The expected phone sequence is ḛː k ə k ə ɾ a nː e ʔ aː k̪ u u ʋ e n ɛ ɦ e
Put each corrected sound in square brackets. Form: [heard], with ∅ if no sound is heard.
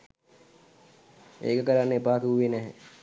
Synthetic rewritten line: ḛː k ə k ə ɾ a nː e [p] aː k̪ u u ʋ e n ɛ ɦ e